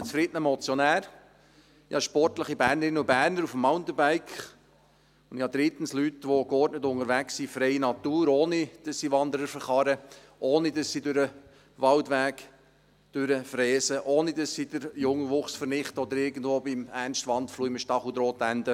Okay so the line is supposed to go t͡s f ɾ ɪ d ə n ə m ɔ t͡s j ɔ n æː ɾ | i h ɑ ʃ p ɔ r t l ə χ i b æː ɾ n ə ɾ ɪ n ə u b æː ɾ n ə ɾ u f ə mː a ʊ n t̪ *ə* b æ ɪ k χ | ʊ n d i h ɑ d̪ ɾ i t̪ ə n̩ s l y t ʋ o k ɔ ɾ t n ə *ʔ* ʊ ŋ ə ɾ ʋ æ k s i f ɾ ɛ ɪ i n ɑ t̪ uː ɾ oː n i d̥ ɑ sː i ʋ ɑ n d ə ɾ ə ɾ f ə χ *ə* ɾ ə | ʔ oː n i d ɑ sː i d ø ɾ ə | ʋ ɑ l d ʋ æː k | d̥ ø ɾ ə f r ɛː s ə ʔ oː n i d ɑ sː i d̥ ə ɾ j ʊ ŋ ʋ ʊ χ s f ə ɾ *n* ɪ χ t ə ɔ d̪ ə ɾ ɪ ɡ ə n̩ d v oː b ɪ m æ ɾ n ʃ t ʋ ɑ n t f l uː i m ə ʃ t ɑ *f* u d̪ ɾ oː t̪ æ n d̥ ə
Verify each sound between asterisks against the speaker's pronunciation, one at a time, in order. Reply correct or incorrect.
correct, incorrect, incorrect, correct, incorrect

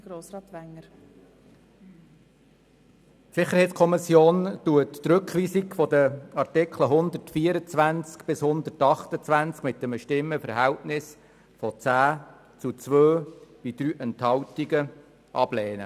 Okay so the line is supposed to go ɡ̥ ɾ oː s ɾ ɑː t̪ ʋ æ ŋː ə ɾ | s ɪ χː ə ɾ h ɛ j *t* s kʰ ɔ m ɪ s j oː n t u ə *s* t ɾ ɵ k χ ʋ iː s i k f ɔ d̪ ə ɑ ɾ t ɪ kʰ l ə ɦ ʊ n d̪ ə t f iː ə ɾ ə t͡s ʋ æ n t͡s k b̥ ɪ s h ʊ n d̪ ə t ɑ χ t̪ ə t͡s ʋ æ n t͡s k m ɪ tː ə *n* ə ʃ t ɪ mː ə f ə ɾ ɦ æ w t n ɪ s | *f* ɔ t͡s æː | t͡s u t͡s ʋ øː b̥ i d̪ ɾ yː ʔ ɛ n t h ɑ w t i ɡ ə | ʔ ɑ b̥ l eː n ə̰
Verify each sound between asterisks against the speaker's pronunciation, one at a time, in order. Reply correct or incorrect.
correct, incorrect, incorrect, correct

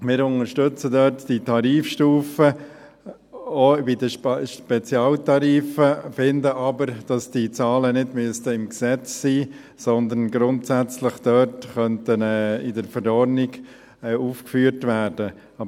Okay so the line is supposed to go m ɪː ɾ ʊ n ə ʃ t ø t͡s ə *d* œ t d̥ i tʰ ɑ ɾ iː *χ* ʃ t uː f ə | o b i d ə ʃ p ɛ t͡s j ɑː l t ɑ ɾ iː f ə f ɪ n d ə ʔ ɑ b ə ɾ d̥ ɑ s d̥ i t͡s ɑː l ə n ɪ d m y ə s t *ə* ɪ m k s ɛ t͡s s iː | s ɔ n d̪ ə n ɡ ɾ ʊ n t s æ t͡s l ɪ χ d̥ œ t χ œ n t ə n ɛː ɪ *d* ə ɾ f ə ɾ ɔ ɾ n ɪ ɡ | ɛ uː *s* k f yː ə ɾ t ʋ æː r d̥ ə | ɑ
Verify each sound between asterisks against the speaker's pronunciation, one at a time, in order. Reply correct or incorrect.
correct, incorrect, correct, correct, incorrect

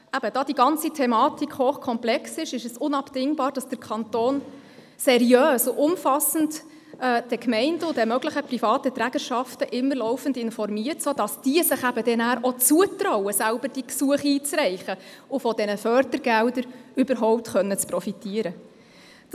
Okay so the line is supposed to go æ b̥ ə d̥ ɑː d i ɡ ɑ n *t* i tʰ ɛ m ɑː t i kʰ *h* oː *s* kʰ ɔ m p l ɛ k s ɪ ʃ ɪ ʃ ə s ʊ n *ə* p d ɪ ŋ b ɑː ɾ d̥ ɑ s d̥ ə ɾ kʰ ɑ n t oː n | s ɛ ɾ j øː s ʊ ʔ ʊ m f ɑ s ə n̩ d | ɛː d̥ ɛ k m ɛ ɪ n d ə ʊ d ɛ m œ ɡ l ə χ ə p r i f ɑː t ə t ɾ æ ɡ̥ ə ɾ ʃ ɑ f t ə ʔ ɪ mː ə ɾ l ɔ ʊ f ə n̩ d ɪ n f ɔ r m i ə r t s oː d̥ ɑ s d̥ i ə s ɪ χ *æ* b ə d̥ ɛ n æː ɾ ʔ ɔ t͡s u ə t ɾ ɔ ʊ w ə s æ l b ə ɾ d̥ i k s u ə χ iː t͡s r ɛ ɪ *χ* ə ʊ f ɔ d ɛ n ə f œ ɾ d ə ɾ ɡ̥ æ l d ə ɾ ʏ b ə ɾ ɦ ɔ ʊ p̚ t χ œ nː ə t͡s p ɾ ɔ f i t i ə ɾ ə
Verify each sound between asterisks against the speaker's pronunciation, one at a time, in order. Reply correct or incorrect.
incorrect, correct, incorrect, incorrect, correct, correct

